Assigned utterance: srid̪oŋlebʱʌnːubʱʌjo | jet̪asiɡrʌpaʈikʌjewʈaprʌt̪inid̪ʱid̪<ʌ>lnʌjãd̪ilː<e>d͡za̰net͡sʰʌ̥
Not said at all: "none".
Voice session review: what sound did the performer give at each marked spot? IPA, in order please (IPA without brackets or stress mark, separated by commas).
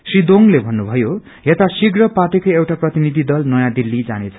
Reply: ʌ, i